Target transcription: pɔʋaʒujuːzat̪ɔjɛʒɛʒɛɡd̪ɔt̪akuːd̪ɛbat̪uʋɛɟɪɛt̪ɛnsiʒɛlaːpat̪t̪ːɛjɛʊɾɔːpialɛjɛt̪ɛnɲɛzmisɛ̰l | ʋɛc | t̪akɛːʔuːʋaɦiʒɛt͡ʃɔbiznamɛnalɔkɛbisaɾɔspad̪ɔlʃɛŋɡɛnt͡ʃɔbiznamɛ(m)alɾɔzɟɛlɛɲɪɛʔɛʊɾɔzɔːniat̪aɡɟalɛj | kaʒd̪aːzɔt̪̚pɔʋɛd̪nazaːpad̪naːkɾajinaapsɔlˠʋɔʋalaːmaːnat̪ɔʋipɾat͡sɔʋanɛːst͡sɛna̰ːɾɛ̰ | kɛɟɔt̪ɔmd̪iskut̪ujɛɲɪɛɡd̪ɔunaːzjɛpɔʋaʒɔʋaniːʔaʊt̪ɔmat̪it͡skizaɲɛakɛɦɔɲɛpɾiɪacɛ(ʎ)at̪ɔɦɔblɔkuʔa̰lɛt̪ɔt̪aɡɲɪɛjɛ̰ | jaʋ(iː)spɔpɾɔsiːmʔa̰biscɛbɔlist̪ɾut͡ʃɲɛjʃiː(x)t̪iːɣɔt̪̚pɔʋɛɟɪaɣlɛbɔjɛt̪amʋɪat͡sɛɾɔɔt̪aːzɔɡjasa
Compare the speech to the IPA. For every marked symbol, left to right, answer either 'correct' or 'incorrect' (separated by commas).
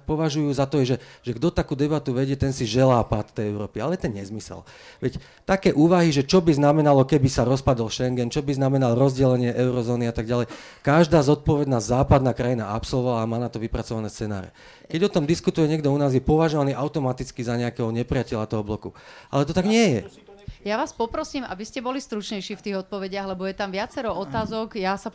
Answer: incorrect, correct, incorrect, incorrect